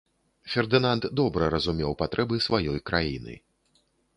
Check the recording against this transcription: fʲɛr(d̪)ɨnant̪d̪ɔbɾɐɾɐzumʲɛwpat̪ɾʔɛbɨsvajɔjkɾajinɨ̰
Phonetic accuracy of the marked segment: correct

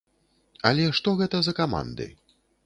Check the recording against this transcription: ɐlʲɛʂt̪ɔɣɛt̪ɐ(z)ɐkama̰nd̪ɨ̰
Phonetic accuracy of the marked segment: correct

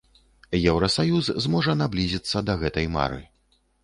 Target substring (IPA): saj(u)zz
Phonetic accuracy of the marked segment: correct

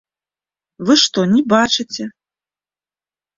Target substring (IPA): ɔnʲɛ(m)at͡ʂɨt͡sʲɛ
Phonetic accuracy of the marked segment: incorrect: b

